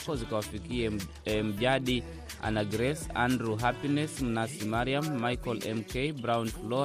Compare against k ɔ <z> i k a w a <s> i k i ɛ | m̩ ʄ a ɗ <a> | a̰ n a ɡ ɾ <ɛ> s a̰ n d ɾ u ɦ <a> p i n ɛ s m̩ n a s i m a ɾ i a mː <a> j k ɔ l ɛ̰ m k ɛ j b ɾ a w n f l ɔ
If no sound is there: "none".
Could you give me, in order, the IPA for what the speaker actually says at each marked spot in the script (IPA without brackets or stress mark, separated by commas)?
z, f, i, ɛ, a, a